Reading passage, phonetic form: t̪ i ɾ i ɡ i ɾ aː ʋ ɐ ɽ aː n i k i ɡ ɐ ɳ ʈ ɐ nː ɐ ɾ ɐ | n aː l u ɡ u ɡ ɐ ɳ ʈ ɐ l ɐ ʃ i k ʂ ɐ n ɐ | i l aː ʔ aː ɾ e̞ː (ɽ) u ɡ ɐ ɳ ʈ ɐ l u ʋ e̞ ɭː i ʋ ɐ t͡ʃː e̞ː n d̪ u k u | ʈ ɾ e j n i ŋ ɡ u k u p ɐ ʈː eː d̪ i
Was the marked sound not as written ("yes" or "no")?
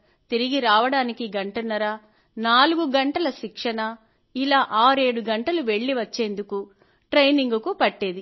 no